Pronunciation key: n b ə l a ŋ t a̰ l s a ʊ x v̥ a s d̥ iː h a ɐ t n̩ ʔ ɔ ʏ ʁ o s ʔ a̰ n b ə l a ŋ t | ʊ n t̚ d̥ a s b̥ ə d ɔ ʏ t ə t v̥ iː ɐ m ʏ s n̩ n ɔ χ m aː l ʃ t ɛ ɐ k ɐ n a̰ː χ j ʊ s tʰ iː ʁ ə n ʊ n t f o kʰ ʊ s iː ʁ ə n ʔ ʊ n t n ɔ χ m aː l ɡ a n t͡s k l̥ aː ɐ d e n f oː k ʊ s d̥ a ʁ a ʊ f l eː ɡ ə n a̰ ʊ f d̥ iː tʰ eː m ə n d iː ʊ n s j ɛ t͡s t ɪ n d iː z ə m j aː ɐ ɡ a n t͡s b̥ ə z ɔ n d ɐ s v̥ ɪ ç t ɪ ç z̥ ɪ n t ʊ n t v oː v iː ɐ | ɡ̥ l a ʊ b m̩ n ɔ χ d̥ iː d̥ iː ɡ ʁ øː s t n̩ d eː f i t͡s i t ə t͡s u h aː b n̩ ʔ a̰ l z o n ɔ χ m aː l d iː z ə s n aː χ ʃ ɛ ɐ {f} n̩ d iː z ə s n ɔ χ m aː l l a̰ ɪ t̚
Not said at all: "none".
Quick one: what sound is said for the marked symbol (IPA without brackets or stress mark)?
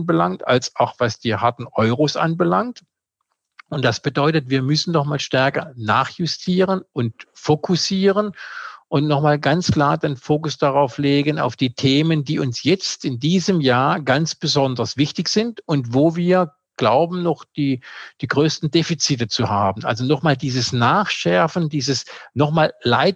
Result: f